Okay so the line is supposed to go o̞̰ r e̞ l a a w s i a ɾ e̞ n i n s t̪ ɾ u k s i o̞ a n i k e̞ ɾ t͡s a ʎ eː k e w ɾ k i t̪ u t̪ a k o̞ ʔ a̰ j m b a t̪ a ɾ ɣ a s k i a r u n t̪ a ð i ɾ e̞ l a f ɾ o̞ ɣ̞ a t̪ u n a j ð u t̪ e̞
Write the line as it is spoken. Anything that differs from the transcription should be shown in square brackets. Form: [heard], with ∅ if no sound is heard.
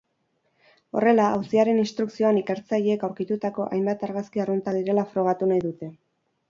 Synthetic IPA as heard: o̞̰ r e̞ l a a w s i a ɾ e̞ n i n s t̪ ɾ u k s i o̞ a n i k e̞ ɾ t͡s a ʎ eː k [a] w ɾ k i t̪ u t̪ a k o̞ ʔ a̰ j m b a t̪ a ɾ ɣ a s k i a r u n t̪ a ð i ɾ e̞ l a f ɾ o̞ ɣ̞ a t̪ u n a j ð u t̪ e̞